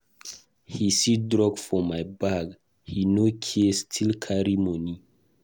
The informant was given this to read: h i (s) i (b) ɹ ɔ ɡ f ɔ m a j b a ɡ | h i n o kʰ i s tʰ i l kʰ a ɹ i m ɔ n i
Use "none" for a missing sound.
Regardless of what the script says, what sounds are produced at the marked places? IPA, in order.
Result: s, d

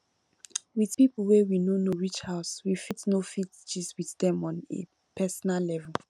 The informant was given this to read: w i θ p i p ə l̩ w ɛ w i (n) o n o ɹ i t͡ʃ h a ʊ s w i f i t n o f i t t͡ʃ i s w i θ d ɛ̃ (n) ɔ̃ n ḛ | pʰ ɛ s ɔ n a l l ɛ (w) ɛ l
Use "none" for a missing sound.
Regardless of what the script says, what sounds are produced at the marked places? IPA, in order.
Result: n, m, v

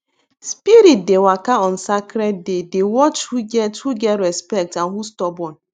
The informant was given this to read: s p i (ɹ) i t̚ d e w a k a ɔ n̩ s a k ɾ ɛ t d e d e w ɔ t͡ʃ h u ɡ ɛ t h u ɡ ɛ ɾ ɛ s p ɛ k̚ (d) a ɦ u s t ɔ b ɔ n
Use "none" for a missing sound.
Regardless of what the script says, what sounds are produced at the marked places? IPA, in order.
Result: ɾ, t

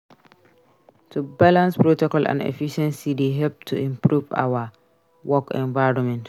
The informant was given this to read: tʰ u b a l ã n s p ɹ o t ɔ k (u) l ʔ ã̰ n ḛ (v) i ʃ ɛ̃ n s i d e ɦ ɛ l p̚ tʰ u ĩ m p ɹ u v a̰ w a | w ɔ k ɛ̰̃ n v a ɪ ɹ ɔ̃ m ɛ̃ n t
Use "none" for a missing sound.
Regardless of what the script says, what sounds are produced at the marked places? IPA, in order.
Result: ɔ, f

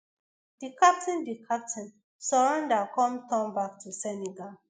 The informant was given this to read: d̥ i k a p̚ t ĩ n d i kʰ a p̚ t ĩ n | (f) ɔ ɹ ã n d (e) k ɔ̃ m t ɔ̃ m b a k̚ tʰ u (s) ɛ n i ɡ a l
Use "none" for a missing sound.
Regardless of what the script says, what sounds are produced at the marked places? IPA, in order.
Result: s, a, s

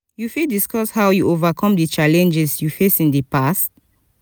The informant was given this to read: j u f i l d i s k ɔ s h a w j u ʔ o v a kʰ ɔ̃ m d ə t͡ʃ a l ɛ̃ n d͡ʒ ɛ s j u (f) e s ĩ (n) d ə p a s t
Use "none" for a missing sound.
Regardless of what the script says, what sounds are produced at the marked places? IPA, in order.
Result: f, n

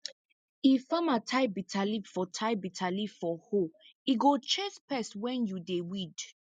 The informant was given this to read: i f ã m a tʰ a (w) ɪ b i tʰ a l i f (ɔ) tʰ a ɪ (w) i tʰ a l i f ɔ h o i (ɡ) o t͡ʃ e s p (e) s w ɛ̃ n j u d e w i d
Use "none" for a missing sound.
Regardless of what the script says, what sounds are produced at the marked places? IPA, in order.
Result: none, ɔ, b, ɡ, ɛ

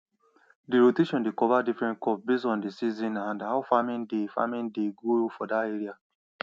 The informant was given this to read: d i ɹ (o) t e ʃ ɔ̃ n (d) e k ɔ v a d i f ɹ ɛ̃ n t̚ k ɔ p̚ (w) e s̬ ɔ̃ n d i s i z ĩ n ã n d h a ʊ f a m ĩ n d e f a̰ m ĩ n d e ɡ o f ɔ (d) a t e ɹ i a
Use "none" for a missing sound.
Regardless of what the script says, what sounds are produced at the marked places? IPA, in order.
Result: o, d, b, d

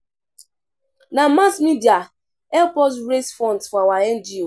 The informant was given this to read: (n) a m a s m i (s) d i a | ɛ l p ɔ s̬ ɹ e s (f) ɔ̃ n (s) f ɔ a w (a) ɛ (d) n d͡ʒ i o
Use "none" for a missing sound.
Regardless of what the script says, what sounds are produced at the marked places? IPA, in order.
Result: n, none, f, t, a, none

